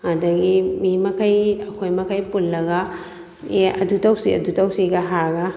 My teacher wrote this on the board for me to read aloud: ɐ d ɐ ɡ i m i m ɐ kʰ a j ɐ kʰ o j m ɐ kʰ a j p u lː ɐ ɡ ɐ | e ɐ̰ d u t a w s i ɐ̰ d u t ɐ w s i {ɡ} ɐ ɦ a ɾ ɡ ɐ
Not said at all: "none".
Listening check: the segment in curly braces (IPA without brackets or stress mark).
ɡ